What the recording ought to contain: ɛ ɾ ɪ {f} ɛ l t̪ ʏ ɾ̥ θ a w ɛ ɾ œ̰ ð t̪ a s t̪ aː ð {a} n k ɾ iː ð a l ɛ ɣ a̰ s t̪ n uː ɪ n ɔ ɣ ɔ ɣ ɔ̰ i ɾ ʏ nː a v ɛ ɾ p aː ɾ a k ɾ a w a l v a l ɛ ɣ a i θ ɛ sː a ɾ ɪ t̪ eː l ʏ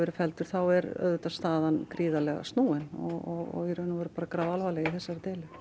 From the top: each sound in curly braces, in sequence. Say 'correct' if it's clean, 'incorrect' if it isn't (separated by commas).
correct, correct